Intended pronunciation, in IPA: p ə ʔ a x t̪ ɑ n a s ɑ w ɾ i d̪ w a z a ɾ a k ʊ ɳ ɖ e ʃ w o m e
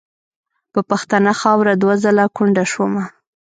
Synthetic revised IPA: p ə p a x t̪ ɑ n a x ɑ w ɾ a d̪ w a z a l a k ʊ ɳ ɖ a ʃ w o m a